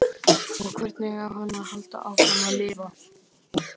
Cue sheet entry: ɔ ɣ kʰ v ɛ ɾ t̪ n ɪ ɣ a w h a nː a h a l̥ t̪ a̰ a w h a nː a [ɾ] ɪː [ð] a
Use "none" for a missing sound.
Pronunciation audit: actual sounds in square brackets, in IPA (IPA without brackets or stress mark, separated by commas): l, v